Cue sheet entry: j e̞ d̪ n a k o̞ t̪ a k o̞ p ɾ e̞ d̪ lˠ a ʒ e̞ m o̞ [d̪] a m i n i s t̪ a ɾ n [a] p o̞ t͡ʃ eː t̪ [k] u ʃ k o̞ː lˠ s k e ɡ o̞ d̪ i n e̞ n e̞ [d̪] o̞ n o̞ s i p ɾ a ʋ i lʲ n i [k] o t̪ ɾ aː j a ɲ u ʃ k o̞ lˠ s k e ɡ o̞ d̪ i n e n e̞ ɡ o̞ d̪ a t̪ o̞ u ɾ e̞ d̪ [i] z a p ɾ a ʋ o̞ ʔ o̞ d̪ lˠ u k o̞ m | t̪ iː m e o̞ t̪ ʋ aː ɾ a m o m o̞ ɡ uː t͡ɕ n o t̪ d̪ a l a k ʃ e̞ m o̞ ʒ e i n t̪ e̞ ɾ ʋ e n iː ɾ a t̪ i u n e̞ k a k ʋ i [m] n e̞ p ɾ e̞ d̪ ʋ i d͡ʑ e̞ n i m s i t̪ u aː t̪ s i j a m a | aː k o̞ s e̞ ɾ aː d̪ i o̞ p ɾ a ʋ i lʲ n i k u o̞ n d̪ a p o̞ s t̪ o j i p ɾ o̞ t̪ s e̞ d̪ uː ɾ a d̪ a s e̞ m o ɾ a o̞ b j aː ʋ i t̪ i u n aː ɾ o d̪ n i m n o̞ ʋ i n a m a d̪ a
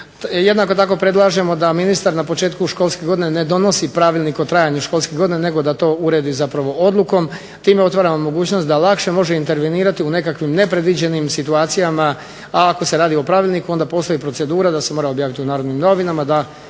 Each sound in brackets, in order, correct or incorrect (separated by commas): correct, correct, correct, correct, correct, correct, correct